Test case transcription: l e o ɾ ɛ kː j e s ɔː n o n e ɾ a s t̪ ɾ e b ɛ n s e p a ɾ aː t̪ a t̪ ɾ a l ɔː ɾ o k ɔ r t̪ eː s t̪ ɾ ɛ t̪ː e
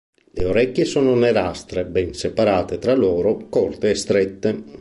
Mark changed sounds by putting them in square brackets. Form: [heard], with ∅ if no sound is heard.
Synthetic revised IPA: l e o ɾ ɛ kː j e s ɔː n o n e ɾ a s t̪ ɾ e b ɛ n s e p a ɾ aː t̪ [e] t̪ ɾ a l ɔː ɾ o k ɔ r t̪ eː s t̪ ɾ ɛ t̪ː e